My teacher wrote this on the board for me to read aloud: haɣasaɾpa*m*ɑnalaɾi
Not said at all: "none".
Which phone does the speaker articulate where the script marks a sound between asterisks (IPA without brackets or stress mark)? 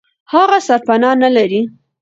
n